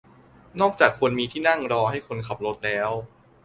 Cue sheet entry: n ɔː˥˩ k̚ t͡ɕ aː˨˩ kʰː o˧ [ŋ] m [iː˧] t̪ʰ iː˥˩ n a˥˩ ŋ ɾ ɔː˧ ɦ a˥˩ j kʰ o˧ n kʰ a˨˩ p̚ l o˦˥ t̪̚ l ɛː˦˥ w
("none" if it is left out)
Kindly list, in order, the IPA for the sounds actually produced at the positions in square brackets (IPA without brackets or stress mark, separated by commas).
n, iː˧